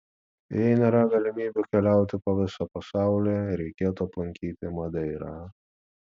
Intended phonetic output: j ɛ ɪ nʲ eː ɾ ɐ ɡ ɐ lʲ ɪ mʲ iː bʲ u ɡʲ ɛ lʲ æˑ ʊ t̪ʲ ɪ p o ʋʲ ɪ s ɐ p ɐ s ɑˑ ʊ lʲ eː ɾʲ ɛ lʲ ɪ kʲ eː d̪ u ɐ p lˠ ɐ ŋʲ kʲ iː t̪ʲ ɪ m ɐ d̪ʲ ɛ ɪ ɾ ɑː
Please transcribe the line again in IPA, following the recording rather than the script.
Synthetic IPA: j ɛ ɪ nʲ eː ɾ ɐ ɡ ɐ lʲ ɪ mʲ iː bʲ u kʲ ɛ lʲ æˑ ʊ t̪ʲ ɪ p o ʋʲ ɪ s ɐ p ɐ s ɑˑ ʊ lʲ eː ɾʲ ɛ ɪ kʲ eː t̪ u ɐ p lˠ ɐ ŋʲ kʲ iː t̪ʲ ɪ m ɐ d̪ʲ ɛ ɪ ɾ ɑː